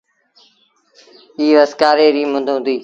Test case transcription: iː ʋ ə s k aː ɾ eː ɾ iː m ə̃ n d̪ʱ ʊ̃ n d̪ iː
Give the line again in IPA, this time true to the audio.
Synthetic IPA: iː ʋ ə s k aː ɾ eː ɾ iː m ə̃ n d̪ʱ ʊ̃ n d̪ iː

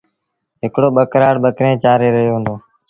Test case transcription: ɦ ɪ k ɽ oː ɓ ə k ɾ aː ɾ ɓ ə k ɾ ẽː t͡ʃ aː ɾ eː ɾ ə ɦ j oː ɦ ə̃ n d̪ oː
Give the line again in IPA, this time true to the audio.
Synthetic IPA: ɦ ɪ k ɽ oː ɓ ə k ɾ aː ɽ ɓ ə k ɾ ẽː t͡ʃ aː ɾ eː ɾ ə ɦ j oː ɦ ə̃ n d̪ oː

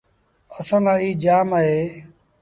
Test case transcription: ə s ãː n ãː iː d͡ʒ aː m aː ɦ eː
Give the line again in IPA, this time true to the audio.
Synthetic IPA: ə s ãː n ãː iː d͡ʒ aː m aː ɦ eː

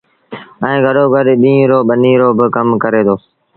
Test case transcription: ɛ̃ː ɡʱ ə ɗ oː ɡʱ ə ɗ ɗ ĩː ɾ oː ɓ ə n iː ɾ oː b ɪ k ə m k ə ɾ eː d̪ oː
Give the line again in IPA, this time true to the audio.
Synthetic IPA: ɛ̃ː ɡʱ ə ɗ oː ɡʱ ə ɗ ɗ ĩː ɾ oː ɓ ə n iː ɾ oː b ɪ k ə m k ə ɾ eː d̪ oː

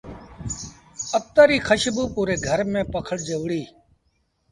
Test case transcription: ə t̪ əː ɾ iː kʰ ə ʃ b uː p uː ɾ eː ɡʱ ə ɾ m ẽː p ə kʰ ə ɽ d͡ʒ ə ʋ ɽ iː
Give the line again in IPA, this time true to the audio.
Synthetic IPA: ə t̪ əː ɾ iː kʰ ə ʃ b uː p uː ɾ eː ɡʱ ə ɾ m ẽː p ə kʰ ə ɽ d͡ʒ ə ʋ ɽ iː

